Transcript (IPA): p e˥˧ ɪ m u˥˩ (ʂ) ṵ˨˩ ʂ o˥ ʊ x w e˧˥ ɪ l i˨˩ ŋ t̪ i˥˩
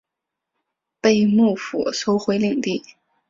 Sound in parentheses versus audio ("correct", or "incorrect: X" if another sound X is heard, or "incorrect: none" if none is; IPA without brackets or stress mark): incorrect: f